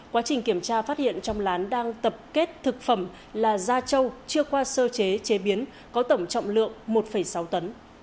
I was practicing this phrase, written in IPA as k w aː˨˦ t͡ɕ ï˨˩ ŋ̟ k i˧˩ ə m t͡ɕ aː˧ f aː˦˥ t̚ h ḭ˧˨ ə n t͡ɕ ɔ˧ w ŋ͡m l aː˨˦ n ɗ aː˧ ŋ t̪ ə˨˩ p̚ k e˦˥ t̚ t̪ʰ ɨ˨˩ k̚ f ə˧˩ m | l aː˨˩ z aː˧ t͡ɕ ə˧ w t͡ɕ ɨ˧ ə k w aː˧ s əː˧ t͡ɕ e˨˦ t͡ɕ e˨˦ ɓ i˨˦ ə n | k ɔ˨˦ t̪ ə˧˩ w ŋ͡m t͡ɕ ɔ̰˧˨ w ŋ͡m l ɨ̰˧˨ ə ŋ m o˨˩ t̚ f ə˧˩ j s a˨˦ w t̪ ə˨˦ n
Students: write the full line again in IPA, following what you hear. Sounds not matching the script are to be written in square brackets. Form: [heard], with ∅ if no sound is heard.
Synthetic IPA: k w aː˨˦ t͡ɕ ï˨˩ ŋ̟ k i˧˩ ə m t͡ɕ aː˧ f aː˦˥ t̚ h ḭ˧˨ ə n t͡ɕ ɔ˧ w ŋ͡m l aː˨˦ n ɗ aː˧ ŋ t̪ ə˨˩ p̚ k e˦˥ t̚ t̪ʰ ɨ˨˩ k̚ f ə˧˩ m | l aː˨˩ z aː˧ t͡ɕ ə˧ w t͡ɕ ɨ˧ ə k w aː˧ s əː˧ t͡ɕ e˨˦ t͡ɕ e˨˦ ɓ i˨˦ ə n | k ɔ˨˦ t̪ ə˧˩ w ŋ͡m t͡ɕ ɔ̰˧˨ w ŋ͡m l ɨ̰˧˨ ə ŋ m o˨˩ t̚ f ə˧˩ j s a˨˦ w t̪ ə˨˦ n